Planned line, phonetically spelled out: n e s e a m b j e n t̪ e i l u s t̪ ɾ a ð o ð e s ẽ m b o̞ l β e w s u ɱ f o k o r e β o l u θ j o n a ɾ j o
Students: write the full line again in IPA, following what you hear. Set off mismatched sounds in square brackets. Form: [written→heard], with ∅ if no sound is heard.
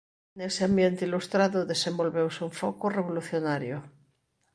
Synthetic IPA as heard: n e s e a m b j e n t̪ e i l u s t̪ ɾ a ð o ð e s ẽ m b o̞ l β e w s u ɱ f o k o r e β o l u θ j o n a ɾ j o